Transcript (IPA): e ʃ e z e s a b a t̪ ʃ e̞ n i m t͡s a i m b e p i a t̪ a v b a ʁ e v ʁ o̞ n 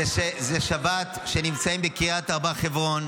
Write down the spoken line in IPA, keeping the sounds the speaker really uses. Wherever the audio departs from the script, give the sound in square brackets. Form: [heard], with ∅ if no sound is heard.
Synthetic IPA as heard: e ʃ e z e [ʃ] a b a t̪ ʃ e̞ n i m t͡s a i m b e [k] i a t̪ a [ʁ] b a [χ] e v ʁ o̞ n